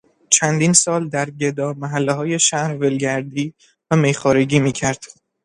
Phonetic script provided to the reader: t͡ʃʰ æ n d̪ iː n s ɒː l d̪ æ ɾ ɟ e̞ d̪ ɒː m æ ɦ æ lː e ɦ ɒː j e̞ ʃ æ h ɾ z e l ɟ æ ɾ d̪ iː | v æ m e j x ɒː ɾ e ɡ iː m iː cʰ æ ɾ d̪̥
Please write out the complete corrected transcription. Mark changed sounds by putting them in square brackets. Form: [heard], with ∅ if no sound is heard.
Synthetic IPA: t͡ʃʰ æ n d̪ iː n s ɒː l d̪ æ ɾ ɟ e̞ d̪ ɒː m æ ɦ æ lː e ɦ ɒː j e̞ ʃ æ h ɾ [v] e l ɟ æ ɾ d̪ iː | v æ m e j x ɒː ɾ e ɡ iː m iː cʰ æ ɾ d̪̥